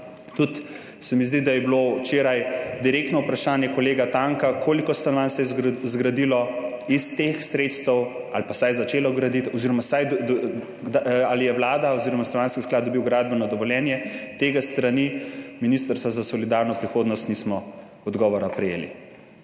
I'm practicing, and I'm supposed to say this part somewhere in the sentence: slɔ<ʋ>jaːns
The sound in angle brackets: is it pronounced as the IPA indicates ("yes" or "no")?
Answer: yes